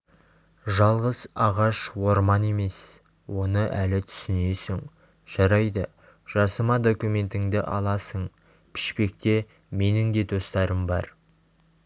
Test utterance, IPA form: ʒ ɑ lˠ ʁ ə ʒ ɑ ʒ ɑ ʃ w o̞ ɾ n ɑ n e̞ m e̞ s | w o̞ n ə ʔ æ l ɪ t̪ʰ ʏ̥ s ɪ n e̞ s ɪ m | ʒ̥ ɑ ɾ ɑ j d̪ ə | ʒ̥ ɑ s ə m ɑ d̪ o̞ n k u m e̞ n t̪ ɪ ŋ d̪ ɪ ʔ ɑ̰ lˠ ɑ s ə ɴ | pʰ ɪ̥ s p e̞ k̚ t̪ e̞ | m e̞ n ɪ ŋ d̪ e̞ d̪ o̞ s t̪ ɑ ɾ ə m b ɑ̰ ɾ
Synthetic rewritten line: ʒ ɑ lˠ ʁ ə z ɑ ʁ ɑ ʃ w o̞ ɾ m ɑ n e̞ m e̞ s | w o̞ n ə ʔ æ l ɪ t̪ʰ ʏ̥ s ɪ n e̞ s ɪ ŋ | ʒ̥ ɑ ɾ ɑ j d̪ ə | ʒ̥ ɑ s ə m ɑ d̪ o̞ k u m e̞ n t̪ ɪ ŋ d̪ ɪ ʔ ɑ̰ lˠ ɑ s ə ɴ | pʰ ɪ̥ ʃ p e̞ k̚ t̪ e̞ | m e̞ n ɪ ŋ d̪ e̞ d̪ o̞ s t̪ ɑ ɾ ə m b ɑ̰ ɾ